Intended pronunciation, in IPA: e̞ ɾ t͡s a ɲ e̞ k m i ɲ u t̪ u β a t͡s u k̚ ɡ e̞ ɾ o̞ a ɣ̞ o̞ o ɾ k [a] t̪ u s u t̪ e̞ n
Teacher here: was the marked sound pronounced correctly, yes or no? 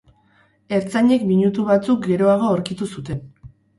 no